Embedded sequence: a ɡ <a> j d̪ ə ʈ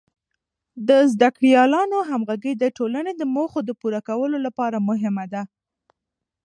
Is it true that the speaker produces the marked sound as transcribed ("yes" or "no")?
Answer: no